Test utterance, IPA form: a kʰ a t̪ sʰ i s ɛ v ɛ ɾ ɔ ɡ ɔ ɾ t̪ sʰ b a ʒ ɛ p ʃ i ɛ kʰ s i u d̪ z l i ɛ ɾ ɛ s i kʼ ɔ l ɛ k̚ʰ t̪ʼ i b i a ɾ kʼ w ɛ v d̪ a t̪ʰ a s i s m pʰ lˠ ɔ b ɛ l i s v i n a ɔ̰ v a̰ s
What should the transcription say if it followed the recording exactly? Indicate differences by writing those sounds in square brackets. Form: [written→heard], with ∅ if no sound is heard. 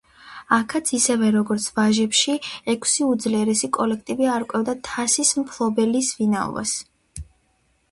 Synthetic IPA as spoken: a kʰ a t̪ sʰ i s ɛ v ɛ ɾ ɔ ɡ ɔ ɾ t̪ sʰ [b→v] a ʒ ɛ p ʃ i ɛ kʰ s i u d̪ z l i ɛ ɾ ɛ s i kʼ ɔ l ɛ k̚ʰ t̪ʼ i b i a ɾ kʼ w ɛ v d̪ a t̪ʰ a s i s m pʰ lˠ ɔ b ɛ l i s v i n a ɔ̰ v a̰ s